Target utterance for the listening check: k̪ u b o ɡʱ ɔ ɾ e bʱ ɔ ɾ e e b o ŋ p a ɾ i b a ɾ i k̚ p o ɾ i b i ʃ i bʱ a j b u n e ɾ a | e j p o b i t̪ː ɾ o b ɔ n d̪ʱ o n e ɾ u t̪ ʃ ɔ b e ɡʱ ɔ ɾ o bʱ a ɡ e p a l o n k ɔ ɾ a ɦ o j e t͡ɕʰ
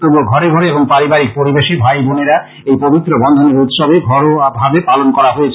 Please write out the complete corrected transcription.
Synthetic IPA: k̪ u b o ɡʱ ɔ ɾ e ɡʱ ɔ ɾ e e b o ŋ p a ɾ i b a ɾ i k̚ p o ɾ i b e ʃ i bʱ a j b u n e ɾ a | e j p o b i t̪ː ɾ o b ɔ n d̪ʱ o n e ɾ u t̪ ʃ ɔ b e ɡʱ ɔ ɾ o bʱ a b e p a l o n k ɔ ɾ a ɦ o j e t͡ɕʰ